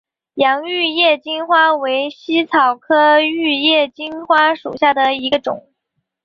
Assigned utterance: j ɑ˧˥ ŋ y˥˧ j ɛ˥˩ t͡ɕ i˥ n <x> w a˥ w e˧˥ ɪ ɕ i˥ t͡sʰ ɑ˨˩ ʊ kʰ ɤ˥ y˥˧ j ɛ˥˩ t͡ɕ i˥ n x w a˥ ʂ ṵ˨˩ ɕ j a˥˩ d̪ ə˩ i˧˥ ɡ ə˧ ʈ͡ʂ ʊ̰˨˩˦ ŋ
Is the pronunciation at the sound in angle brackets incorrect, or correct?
correct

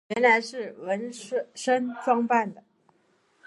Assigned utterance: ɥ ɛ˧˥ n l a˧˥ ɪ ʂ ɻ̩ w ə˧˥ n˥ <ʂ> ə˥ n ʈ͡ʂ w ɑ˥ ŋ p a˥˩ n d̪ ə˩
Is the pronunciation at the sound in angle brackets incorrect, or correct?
correct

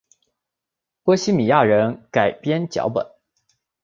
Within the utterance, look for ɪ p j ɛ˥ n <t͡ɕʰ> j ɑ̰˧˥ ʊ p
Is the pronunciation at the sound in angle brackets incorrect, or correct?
incorrect: t͡ɕ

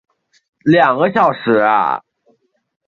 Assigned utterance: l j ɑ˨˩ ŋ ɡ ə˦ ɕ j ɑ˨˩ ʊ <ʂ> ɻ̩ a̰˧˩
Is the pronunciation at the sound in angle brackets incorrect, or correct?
correct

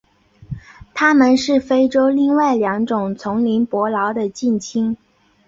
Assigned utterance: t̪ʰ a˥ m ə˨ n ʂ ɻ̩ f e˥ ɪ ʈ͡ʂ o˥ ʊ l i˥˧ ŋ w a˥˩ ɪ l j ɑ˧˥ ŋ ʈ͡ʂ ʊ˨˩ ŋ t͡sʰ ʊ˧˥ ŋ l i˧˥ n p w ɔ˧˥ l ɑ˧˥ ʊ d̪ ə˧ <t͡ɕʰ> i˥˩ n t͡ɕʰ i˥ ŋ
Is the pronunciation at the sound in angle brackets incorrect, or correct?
incorrect: t͡ɕ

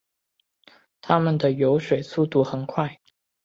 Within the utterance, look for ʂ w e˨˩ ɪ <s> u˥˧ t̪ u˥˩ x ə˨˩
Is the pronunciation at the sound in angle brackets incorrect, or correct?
correct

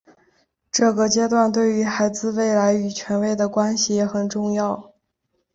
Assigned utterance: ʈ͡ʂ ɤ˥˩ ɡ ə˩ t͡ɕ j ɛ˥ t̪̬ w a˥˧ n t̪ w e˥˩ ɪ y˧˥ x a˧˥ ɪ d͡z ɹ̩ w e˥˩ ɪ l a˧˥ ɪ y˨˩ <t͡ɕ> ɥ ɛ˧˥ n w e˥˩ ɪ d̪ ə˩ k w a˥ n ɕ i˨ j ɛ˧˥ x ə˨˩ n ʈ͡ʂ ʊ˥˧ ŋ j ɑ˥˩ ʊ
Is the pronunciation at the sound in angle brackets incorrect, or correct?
incorrect: t͡ɕʰ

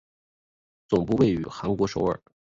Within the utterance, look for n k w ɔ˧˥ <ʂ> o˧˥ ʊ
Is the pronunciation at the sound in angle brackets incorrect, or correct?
correct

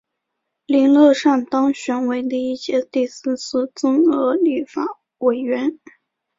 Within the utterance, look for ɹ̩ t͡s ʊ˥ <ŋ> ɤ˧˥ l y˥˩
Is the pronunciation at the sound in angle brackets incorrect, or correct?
correct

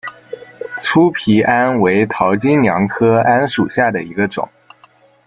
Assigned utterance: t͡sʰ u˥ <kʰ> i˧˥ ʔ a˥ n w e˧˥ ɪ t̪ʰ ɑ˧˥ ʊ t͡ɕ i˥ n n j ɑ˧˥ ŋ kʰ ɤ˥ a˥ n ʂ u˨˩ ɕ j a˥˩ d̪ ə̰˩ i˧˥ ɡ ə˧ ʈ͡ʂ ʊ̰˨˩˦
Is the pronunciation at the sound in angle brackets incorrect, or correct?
incorrect: pʰ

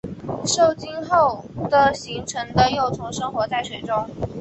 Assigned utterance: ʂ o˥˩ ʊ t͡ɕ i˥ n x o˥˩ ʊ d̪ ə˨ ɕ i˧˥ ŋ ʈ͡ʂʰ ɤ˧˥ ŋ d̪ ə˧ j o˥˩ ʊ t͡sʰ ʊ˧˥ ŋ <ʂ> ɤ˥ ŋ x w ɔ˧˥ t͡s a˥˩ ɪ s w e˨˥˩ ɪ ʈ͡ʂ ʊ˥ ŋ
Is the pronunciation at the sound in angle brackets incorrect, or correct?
correct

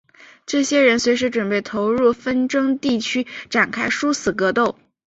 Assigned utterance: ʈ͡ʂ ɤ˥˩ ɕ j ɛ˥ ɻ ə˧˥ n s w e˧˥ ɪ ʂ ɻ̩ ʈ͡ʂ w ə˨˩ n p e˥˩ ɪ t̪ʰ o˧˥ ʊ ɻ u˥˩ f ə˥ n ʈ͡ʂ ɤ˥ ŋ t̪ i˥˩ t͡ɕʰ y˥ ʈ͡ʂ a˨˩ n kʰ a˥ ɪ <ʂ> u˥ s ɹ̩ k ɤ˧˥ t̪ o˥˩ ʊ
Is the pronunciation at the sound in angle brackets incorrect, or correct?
correct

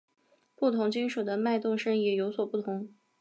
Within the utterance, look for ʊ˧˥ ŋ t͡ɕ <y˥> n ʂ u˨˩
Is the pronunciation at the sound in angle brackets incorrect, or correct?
incorrect: i˥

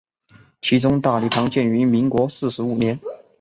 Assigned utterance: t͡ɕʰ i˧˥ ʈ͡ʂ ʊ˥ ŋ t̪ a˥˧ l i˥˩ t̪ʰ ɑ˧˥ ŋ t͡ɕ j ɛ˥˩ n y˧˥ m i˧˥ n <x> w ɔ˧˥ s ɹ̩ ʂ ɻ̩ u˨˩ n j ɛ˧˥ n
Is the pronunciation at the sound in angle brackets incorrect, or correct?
incorrect: k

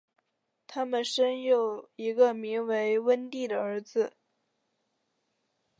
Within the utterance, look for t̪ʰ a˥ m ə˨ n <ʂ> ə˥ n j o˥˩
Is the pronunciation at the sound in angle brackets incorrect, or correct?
correct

